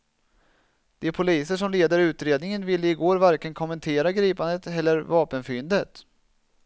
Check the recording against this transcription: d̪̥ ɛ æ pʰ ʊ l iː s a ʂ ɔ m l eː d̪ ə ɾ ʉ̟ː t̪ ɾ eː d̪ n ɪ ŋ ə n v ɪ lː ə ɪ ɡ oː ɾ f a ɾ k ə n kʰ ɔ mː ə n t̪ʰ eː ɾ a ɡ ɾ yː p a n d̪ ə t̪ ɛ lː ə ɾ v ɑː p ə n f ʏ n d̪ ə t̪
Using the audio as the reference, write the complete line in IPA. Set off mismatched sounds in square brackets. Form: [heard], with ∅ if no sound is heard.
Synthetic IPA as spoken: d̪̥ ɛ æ pʰ ʊ l iː s [ə] ʂ ɔ m l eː d̪ ə ɾ ʉ̟ː t̪ ɾ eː d̪ n ɪ ŋ ə n v ɪ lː ə ɪ ɡ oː ɾ [v] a ɾ k ə n kʰ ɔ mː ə n t̪ʰ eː ɾ a ɡ ɾ [iː] p a n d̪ ə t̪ ɛ lː ə ɾ v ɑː p ə n f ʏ n d̪ ə t̪